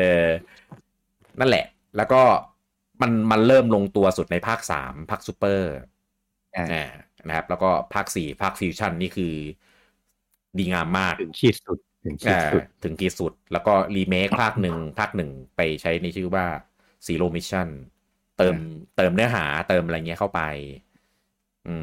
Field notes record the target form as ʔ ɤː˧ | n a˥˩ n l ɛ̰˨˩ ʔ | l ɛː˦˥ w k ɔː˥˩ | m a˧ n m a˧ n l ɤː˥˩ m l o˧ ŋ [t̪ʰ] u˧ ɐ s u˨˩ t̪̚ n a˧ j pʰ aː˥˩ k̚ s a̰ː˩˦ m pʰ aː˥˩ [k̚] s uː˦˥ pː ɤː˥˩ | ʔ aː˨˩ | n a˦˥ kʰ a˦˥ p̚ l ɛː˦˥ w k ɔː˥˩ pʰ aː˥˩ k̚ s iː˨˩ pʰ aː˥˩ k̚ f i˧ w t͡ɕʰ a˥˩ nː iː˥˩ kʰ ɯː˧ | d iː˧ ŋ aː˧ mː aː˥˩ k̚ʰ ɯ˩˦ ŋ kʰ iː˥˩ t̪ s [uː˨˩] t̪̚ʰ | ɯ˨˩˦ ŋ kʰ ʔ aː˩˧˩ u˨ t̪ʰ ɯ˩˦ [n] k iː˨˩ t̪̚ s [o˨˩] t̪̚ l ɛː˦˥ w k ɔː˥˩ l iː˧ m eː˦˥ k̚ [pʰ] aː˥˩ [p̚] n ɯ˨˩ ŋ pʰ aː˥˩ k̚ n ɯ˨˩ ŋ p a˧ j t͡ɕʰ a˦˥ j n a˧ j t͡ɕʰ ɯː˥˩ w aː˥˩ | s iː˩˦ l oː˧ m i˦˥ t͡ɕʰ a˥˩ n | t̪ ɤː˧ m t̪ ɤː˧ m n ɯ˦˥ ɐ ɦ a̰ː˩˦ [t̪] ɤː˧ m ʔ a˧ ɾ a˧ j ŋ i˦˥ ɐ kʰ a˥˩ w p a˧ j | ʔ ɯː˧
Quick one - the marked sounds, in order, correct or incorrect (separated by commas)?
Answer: incorrect, correct, incorrect, incorrect, incorrect, correct, incorrect, correct